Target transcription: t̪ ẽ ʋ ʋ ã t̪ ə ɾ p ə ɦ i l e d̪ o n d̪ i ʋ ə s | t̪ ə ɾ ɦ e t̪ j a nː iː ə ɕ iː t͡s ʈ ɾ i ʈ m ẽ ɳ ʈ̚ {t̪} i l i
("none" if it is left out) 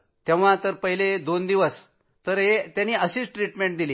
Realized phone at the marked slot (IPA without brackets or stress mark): d̪